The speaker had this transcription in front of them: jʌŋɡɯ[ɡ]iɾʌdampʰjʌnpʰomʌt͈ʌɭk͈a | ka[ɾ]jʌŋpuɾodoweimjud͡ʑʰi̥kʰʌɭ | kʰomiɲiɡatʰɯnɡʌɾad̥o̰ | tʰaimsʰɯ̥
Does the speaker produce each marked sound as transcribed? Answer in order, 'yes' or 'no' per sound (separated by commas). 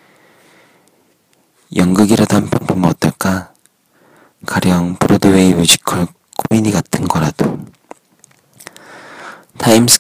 yes, yes